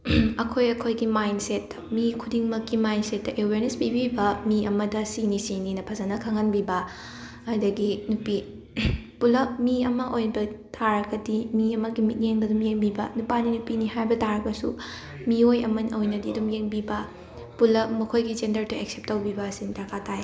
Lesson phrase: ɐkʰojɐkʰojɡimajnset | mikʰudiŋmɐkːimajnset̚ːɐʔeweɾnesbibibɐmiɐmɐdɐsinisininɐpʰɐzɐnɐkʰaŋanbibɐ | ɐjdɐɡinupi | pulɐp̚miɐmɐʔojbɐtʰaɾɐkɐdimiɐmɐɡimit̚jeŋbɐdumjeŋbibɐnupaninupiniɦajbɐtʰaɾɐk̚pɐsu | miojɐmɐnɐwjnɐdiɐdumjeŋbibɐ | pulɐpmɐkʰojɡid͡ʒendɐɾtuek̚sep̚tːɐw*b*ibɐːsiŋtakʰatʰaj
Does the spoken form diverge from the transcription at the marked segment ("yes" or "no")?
no